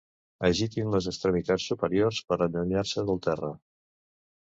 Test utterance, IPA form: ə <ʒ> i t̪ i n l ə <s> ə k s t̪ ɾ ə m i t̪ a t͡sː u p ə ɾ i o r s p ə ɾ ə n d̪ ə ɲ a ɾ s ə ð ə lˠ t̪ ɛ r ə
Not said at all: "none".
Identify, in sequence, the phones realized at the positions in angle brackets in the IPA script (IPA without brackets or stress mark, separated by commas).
ʒ, z